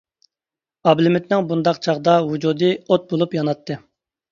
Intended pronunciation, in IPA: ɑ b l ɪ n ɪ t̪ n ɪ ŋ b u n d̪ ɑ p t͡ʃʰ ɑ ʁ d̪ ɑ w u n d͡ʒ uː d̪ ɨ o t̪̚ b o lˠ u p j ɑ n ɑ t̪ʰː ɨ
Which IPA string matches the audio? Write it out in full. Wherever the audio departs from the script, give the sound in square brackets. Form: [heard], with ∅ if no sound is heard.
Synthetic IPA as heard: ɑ b l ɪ [m] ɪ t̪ n ɪ ŋ b u n d̪ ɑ [q] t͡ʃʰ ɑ ʁ d̪ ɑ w u [∅] d͡ʒ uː d̪ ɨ o t̪̚ b o lˠ u p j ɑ n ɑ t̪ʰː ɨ